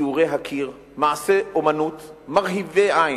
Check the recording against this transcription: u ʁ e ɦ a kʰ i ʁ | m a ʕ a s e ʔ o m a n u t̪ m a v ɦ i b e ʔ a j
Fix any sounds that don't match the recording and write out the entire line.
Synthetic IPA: u ʁ e ɦ a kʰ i ʁ | m a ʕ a s e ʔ o m a n u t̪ m a ʁ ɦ i v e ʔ a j